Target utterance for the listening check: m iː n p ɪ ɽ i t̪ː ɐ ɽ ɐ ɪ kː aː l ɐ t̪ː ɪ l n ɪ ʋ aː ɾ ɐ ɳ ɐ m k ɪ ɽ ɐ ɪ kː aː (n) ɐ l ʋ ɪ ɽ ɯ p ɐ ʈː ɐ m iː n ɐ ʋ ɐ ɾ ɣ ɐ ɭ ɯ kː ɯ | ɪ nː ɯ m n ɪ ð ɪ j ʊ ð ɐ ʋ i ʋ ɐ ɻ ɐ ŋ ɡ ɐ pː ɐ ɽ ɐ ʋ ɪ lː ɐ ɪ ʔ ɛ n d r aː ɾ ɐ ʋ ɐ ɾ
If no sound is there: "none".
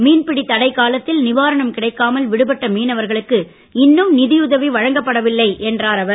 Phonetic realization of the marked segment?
m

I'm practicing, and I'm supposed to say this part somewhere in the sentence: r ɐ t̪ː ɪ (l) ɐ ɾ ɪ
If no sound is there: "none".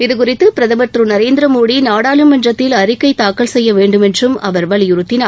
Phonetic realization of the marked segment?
l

